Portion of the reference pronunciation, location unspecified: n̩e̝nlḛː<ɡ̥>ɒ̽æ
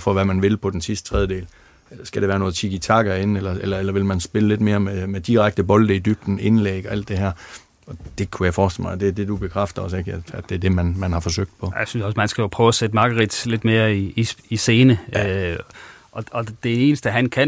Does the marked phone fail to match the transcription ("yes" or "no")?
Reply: no